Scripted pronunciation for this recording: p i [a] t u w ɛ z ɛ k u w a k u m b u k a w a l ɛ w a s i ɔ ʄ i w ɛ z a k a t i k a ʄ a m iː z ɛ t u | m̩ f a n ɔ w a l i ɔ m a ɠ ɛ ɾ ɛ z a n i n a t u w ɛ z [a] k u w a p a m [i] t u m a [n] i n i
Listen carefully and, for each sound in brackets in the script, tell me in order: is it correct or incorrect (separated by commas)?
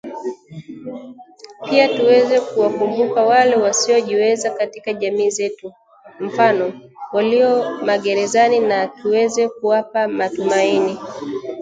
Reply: correct, incorrect, incorrect, incorrect